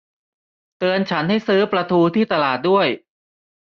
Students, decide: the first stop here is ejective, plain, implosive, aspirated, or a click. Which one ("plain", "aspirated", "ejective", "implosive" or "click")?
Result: plain